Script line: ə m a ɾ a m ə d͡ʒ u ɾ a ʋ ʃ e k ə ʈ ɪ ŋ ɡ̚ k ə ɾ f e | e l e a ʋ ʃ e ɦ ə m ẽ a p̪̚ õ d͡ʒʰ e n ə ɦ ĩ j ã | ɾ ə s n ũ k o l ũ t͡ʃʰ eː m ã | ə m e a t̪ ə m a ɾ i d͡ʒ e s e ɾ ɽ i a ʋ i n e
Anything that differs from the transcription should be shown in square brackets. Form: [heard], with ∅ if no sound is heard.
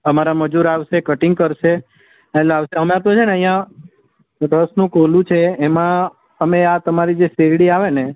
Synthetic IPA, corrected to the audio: ə m a ɾ a m ə d͡ʒ u ɾ a ʋ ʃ e k ə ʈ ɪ ŋ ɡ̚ k ə ɾ [ʃ] e | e l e a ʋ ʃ e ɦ ə m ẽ a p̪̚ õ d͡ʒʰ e n ə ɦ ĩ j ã | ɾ ə s n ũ k o l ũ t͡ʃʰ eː m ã | ə m e a t̪ ə m a ɾ i d͡ʒ e s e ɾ ɽ i a ʋ [e] n e